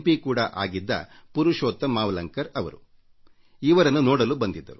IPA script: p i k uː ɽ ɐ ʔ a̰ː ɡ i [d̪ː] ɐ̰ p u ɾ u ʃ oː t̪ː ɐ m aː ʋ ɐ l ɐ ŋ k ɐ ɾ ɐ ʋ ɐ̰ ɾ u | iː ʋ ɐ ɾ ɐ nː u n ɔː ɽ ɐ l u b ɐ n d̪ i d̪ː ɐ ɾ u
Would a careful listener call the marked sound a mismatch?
no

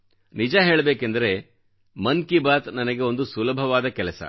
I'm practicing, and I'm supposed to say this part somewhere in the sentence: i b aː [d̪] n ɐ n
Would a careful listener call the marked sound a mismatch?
yes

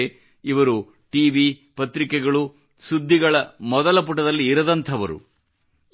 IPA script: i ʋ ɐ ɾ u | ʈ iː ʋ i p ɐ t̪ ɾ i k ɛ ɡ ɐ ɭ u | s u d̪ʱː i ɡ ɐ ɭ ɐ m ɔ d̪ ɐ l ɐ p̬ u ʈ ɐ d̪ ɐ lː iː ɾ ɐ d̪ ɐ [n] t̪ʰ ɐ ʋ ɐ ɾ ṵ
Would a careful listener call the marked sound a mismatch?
no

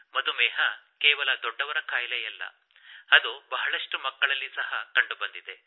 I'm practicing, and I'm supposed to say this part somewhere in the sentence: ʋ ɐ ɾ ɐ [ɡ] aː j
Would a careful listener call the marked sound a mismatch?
yes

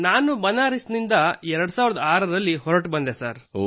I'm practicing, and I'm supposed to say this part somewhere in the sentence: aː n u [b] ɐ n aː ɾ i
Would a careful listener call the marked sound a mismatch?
no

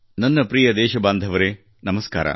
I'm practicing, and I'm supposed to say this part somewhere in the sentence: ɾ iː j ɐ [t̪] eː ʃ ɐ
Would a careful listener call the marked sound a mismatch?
yes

